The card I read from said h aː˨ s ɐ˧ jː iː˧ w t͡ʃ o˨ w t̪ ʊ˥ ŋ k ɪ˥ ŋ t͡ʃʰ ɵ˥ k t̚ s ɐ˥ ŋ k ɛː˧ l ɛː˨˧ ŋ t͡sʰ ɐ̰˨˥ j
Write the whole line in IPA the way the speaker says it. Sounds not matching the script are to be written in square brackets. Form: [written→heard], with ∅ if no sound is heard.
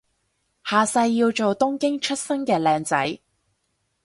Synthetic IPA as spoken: h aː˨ s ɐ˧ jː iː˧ w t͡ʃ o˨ w t̪ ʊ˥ ŋ k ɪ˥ ŋ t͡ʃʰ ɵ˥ [k→∅] t̚ s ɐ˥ ŋ k ɛː˧ l ɛː˨˧ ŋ [t͡sʰ→t͡s] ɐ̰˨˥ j